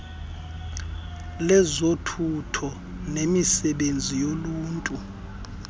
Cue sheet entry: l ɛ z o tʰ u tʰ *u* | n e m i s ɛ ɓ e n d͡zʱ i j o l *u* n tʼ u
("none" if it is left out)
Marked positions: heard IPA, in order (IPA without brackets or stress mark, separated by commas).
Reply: ɔ, uː